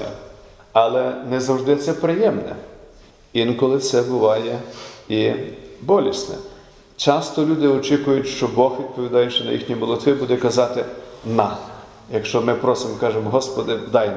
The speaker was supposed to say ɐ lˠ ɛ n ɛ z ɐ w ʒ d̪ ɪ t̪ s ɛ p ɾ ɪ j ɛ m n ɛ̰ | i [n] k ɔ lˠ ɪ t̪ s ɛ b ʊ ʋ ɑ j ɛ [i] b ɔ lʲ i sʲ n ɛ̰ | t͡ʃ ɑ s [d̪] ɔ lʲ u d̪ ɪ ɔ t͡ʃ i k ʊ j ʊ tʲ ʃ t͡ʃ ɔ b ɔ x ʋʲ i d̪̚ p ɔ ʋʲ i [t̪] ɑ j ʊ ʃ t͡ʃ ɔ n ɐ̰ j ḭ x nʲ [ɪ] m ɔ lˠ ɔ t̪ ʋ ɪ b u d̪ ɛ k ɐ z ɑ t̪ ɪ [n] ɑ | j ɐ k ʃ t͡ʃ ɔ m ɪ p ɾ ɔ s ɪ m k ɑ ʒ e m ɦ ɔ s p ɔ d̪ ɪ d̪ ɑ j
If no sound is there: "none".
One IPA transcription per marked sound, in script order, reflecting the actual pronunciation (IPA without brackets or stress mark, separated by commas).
n, i, t̪, d̪, i, n